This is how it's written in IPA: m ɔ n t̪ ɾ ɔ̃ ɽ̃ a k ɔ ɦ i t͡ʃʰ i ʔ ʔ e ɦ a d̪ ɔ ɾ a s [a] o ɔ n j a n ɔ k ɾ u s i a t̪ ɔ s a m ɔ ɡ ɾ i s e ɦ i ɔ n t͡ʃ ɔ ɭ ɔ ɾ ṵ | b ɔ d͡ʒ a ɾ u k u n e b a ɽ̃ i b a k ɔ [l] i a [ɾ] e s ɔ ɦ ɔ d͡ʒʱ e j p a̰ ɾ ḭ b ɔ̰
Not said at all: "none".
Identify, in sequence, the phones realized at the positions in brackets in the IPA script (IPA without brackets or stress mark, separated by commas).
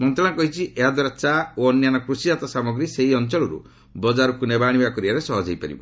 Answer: a, ɾ, ɾ